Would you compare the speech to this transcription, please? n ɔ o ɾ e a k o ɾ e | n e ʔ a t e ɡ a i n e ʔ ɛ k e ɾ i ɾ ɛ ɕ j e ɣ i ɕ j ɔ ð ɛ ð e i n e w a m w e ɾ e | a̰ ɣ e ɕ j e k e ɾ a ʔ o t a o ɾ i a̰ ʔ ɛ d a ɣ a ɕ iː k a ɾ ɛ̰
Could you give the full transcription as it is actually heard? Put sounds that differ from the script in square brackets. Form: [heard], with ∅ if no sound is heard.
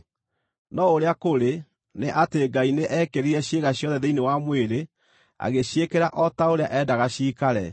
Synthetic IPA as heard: n ɔ o ɾ e a k o ɾ e | n e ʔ a t e ɡ a i n e ʔ ɛ k e ɾ i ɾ ɛ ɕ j e ɣ [a] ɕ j ɔ ð ɛ ð e i n e w a m w e ɾ e | a̰ ɣ e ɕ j e k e ɾ a ʔ [ɔ] t a o ɾ [e] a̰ ʔ ɛ d a ɣ a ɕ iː k a ɾ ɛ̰